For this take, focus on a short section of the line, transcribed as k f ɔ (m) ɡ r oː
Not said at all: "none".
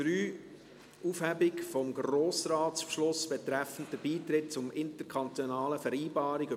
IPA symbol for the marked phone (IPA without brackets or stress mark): m